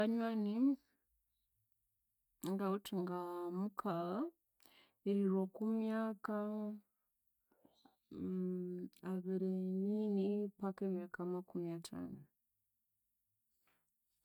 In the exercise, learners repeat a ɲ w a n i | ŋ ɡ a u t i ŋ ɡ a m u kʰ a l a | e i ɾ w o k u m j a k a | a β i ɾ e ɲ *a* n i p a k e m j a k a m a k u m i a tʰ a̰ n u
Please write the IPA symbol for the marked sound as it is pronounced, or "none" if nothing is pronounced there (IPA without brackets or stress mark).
i